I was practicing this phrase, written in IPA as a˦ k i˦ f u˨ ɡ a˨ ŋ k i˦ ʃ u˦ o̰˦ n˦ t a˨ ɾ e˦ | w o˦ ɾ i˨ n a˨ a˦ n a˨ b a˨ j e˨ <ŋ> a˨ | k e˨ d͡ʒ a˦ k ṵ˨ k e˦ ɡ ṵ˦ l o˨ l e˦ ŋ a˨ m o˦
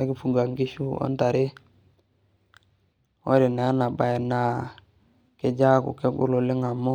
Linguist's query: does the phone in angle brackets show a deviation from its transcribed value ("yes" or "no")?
yes